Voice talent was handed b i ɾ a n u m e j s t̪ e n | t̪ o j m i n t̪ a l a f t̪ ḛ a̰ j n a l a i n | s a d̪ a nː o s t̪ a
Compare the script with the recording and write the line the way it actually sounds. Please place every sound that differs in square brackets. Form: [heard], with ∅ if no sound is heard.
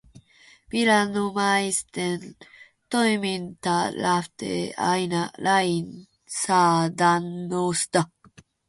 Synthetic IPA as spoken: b i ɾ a n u m [a] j s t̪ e n | t̪ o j m i n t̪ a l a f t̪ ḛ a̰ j n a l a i n | s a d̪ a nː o s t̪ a